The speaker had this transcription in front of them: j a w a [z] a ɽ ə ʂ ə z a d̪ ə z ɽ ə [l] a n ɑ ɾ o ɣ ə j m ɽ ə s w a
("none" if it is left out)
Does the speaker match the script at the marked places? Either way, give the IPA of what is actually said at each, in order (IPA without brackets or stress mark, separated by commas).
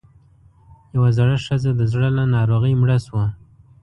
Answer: z, l